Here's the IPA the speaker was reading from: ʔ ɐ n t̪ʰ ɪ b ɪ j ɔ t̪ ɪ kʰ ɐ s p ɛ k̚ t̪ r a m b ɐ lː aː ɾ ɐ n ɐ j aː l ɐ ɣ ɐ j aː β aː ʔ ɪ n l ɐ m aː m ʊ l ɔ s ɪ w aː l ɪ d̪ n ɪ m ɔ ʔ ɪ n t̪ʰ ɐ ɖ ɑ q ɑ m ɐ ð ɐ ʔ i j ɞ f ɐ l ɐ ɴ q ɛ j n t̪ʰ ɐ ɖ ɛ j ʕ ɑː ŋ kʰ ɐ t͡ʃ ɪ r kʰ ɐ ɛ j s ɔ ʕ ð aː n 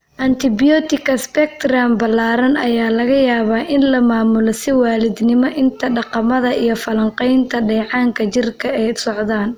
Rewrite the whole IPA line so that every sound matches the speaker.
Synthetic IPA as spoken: ʔ ɐ n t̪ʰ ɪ b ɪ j ɔ t̪ ɪ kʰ ɐ s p ɛ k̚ t̪ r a m b ɐ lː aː ɾ ɐ n ɐ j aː l ɐ ɣ ɐ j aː β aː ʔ ɪ n l ɐ m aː m ʊ l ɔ s ɪ w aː l ɪ d̪ n ɪ m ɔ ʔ ɪ n t̪ʰ ɐ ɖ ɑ q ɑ m ɐ ð ɐ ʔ i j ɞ f ɐ l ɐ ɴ q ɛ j n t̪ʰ ɐ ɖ ɛ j ʕ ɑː ŋ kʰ ɐ t͡ʃ ɪ r kʰ ɐ ɛ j s ɔ ʕ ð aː n

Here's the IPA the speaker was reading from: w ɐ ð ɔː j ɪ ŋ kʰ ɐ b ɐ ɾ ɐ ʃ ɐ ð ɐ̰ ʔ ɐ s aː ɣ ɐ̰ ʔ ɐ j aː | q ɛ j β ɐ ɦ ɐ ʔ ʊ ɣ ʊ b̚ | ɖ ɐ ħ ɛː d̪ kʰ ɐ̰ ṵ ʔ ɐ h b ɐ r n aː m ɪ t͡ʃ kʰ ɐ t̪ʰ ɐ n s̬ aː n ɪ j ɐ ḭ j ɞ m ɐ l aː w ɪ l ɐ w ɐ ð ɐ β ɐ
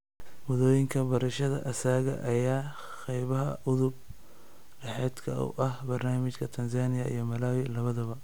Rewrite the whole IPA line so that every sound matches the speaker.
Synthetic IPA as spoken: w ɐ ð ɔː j ɪ ŋ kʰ ɐ b ɐ ɾ ɐ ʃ ɐ ð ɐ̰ ʔ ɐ s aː ɣ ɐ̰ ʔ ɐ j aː | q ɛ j β ɐ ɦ ɐ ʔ ʊ ð ʊ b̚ | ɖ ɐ ħ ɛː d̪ kʰ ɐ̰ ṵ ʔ ɐ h b ɐ r n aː m ɪ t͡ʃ kʰ ɐ t̪ʰ ɐ n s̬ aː n ɪ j ɐ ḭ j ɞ m ɐ l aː w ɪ l ɐ β ɐ ð ɐ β ɐ

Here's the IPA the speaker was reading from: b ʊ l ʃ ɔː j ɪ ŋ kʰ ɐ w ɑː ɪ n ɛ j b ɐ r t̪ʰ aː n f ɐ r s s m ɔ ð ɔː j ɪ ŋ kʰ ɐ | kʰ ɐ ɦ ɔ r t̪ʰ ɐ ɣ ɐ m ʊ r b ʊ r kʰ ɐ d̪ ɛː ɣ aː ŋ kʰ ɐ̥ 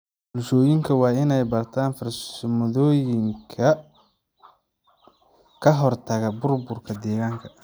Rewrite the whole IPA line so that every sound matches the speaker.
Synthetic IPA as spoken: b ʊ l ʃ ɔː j ɪ ŋ kʰ ɐ w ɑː ɪ n ɛ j b ɐ r t̪ʰ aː n f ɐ r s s m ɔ ð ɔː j ɪ ŋ kʰ ɐ | kʰ ɐ ɦ ɔ r t̪ʰ ɐ ɣ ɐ b ʊ r b ʊ r kʰ ɐ d̪ ɛː ɣ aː ŋ kʰ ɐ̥

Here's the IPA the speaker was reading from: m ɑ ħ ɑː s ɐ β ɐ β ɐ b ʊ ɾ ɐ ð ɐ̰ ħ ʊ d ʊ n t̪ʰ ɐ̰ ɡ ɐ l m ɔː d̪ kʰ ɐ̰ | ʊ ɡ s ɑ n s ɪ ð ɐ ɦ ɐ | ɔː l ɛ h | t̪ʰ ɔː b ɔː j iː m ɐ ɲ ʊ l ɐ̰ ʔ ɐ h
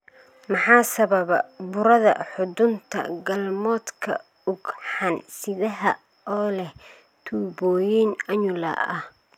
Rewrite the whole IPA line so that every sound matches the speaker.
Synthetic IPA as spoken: m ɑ ħ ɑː s ɐ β ɐ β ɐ b ʊ ɾ ɐ ð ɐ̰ ħ ʊ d ʊ n t̪ʰ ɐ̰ ɡ ɐ l m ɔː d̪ kʰ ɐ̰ | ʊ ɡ ħ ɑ n s ɪ ð ɐ ɦ ɐ | ɔː l ɛ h | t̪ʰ uː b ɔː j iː n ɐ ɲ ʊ l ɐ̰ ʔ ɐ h

